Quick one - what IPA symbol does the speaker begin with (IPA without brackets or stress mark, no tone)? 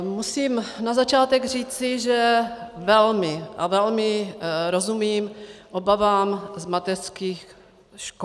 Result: m